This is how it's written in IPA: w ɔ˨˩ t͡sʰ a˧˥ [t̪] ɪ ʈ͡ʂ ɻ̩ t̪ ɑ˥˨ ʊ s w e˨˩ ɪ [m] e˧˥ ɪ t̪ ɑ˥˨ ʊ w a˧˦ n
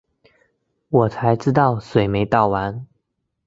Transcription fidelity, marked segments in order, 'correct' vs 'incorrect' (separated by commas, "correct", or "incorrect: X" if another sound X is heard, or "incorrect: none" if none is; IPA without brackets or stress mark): incorrect: none, correct